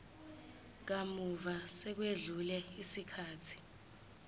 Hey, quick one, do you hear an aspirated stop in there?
yes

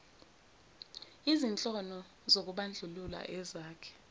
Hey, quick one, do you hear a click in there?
no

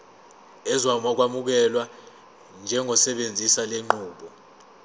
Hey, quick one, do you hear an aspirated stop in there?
no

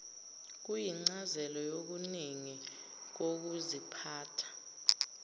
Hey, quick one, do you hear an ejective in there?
no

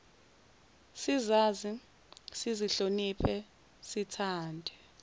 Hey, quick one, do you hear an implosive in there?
no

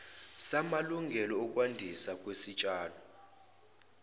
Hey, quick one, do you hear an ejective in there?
yes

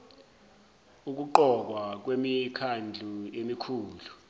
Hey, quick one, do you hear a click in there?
yes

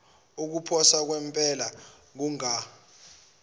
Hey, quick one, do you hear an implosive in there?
no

